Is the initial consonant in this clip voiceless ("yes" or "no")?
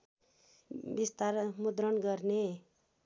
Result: no